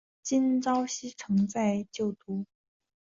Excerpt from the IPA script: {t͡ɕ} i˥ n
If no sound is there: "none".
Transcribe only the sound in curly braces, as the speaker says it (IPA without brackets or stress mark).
t͡ɕ